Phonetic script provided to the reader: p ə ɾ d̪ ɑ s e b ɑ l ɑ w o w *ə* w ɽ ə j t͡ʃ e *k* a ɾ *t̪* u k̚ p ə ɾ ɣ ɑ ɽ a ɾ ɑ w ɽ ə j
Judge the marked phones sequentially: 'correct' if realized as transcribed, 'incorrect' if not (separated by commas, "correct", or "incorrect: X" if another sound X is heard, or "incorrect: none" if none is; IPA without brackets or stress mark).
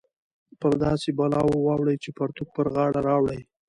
incorrect: ɑ, incorrect: p, correct